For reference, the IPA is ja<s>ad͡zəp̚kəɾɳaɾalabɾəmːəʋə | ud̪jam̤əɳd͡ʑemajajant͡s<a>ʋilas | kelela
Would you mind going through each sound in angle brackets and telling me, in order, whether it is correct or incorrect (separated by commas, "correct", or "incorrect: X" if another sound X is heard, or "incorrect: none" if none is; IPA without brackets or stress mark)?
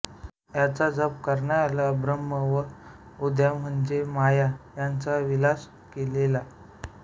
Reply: incorrect: t͡s, correct